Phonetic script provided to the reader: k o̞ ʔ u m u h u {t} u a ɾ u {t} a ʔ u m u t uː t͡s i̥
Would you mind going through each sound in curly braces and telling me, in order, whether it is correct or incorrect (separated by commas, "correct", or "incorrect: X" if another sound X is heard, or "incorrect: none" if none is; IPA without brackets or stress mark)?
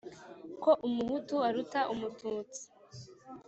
correct, correct